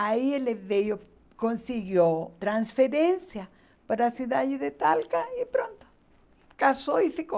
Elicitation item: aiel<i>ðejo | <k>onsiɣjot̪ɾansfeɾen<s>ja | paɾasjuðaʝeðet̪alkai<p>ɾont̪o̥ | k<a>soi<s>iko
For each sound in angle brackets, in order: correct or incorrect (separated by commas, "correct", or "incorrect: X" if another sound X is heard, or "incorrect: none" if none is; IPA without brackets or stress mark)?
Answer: incorrect: e, correct, correct, correct, correct, incorrect: f